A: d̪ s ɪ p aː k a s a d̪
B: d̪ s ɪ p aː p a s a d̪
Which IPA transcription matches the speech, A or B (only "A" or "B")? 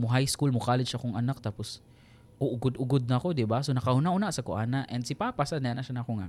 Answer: B